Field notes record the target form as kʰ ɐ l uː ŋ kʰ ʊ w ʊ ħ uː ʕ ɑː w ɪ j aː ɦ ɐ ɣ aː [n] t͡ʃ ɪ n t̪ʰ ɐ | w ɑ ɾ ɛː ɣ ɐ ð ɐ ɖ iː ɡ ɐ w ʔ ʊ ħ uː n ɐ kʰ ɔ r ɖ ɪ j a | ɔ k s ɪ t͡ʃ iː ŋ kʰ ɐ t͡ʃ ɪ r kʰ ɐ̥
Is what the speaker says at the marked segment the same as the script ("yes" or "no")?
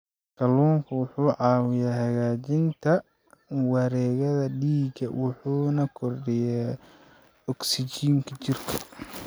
no